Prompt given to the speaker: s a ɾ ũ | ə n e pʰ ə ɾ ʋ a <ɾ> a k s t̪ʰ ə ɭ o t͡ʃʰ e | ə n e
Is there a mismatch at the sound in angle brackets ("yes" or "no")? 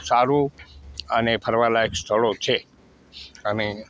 yes